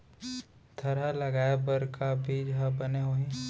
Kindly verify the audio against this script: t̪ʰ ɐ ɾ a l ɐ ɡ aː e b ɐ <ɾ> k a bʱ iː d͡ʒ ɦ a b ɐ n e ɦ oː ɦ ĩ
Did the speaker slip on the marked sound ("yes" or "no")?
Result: no